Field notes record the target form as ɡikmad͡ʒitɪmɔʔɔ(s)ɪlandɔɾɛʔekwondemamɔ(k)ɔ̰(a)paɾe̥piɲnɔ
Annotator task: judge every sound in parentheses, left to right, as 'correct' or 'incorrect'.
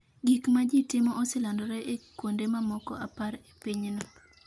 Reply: correct, correct, correct

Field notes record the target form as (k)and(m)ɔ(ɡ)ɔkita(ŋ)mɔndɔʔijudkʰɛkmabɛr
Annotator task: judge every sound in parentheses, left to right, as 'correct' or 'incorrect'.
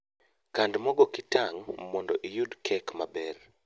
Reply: correct, correct, correct, correct

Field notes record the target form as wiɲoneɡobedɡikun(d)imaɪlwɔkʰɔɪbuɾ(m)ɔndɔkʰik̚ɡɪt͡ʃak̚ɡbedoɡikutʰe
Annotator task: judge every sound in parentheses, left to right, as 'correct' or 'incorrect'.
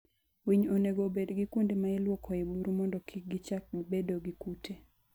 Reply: correct, correct

